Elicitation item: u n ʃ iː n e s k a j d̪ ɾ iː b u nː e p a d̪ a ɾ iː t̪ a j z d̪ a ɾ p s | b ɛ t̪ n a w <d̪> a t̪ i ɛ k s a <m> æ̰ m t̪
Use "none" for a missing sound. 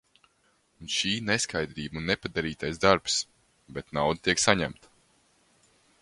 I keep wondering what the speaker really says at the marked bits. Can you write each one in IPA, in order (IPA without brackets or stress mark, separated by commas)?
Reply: d̪, ɲ